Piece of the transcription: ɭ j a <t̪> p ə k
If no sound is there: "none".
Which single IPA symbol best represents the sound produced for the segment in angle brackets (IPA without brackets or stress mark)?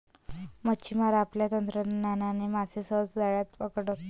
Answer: t̪